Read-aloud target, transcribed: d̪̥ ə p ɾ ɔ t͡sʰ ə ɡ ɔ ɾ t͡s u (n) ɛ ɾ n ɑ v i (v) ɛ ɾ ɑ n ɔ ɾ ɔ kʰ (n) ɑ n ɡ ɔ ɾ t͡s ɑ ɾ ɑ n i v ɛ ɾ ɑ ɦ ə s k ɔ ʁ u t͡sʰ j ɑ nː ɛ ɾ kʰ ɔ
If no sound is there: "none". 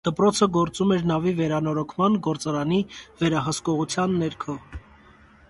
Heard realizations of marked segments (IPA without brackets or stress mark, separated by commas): m, v, m